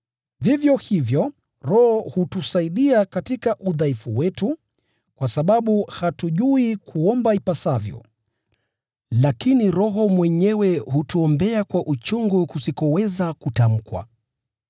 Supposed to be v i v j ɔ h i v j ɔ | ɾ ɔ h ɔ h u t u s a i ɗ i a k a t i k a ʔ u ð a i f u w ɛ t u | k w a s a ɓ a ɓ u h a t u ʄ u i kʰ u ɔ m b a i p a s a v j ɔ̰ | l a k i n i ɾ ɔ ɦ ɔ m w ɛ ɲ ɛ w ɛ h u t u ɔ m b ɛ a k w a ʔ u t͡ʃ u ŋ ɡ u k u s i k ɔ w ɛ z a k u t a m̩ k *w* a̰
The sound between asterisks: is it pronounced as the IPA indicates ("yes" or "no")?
yes